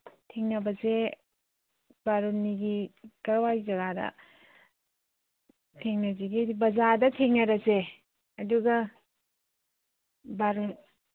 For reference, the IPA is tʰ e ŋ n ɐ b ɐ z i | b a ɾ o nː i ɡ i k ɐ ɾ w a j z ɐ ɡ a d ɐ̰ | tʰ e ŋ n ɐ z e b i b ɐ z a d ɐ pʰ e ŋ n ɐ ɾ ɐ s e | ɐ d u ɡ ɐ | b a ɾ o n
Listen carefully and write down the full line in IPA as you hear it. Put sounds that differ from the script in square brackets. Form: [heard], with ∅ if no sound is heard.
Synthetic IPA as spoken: tʰ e ŋ n ɐ b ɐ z [e] | b a ɾ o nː i ɡ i k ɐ ɾ w a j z ɐ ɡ a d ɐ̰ | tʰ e ŋ n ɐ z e [ɡ] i b ɐ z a d ɐ [tʰ] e ŋ n ɐ ɾ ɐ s e | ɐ d u ɡ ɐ | b a ɾ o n

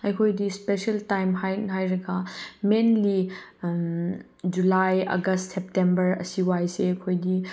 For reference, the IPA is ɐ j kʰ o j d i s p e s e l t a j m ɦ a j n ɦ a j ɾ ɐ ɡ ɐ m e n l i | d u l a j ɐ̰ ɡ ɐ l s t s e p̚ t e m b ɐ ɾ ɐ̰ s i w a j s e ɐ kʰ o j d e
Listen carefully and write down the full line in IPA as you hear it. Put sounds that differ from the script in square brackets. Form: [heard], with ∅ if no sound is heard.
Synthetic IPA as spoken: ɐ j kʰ o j d i s p e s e l t a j m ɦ a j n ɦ a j ɾ ɐ ɡ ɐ m e n l i | [d͡ʒ] u l a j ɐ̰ ɡ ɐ [∅] s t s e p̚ t e m b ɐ ɾ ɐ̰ s i w a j s e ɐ kʰ o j d [i]

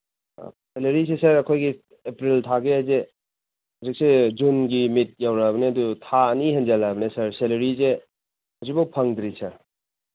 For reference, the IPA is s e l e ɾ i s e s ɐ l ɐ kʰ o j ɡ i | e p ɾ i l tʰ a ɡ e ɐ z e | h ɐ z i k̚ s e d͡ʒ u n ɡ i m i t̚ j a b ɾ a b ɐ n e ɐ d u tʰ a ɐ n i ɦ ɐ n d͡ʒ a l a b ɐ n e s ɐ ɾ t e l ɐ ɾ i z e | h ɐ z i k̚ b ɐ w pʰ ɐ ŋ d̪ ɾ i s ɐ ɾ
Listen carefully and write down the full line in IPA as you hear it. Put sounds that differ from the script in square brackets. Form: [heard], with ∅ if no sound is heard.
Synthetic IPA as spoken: s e l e ɾ i s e s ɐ [ɾ] ɐ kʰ o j ɡ i | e p ɾ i l tʰ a ɡ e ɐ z e | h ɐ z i k̚ s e d͡ʒ u n ɡ i m i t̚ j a [w] ɾ a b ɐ n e ɐ d u tʰ a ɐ n i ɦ ɐ n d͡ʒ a l a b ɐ n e s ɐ ɾ [s] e l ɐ ɾ i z e | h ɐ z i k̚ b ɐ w pʰ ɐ ŋ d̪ ɾ i s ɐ ɾ

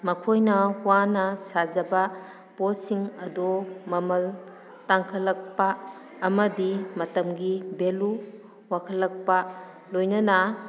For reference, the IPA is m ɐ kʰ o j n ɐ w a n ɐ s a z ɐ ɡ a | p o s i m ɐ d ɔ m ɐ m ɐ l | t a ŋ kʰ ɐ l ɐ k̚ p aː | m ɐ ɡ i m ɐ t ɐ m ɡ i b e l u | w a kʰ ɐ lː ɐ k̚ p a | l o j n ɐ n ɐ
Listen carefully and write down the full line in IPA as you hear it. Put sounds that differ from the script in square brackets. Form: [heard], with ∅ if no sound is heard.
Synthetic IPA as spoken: m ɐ kʰ o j n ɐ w a n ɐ s a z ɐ [b] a | p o s i [ŋ] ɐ d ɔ m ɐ m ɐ l | t a ŋ kʰ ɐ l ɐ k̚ p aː | m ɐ [d] i m ɐ t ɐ m ɡ i b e l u | w a kʰ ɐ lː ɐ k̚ p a | l o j n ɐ n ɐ

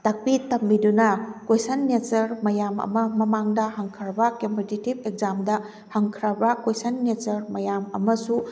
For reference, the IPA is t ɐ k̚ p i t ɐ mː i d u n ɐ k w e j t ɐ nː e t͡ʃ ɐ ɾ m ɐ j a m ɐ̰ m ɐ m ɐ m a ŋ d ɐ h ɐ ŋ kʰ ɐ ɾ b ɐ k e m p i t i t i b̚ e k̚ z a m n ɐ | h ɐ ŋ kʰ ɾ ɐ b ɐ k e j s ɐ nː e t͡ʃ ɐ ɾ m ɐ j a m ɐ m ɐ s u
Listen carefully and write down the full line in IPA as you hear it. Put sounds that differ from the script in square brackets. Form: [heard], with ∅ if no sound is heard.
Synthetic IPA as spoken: t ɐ k̚ p i t ɐ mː i d u n ɐ k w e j [s] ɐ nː e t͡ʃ ɐ ɾ m ɐ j a m ɐ̰ m ɐ m ɐ m a ŋ d ɐ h ɐ ŋ kʰ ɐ ɾ b ɐ k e m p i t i t i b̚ e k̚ z a m [d] ɐ | h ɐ ŋ kʰ ɾ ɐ b ɐ k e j s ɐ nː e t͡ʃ ɐ ɾ m ɐ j a m ɐ m ɐ s u

